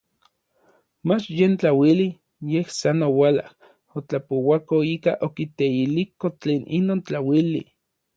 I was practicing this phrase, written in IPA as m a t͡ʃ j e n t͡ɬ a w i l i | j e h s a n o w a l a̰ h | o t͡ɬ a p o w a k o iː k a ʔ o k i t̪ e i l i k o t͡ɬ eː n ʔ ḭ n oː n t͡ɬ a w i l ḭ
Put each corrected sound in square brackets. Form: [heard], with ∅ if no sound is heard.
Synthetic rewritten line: m a t͡ʃ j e n t͡ɬ a w i l i | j e h s a n o w a l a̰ h | o t͡ɬ a p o w a k o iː k a ʔ o k i t̪ e i l i k o t͡ɬ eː n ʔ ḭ n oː n t͡ɬ a w i l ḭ